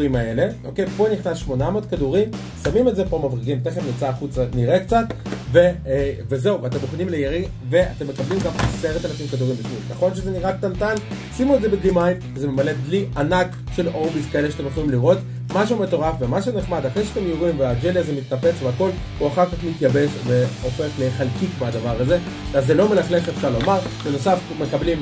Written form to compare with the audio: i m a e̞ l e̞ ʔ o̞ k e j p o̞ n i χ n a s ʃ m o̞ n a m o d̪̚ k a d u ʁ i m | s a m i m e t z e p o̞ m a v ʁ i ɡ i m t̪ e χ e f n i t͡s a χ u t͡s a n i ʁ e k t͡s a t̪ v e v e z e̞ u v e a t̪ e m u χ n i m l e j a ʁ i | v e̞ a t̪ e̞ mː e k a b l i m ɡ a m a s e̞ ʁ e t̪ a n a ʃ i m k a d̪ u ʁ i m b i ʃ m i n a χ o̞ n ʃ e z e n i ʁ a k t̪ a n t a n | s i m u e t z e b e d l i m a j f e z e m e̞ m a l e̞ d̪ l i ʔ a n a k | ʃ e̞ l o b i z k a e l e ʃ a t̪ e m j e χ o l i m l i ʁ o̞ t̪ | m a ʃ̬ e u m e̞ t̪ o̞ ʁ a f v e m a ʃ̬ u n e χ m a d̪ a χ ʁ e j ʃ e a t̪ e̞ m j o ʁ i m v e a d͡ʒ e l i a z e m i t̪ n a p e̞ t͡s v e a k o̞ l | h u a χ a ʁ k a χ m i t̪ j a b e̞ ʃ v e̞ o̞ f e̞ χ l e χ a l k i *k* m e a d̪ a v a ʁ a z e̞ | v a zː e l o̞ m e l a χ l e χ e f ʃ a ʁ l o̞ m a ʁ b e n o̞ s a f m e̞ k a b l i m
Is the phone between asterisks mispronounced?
no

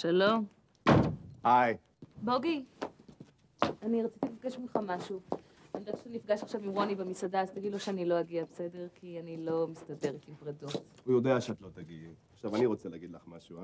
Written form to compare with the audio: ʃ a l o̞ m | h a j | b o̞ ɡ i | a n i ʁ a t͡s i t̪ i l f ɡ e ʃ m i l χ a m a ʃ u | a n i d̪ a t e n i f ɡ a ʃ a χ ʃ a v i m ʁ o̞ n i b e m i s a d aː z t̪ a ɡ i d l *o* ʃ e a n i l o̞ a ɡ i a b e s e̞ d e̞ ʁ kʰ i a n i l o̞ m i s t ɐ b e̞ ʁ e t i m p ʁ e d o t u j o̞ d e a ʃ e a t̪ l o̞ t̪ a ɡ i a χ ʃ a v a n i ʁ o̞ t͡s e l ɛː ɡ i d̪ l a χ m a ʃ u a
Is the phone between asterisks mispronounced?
no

